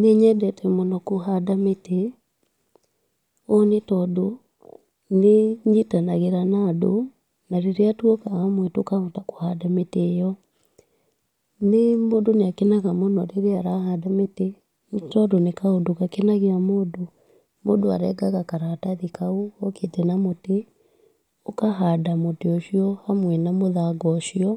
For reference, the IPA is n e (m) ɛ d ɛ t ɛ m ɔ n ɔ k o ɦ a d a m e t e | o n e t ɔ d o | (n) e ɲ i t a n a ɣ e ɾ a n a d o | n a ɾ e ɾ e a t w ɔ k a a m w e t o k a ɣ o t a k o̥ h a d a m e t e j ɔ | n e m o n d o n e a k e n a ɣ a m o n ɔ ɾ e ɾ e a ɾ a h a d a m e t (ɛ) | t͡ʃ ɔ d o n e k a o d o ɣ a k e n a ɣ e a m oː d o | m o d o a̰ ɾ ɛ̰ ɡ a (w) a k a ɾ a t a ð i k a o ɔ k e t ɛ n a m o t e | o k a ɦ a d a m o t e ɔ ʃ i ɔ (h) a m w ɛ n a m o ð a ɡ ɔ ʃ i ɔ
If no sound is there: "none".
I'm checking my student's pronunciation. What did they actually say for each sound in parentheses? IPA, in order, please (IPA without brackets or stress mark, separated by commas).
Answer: ɲ, n, e, ɣ, h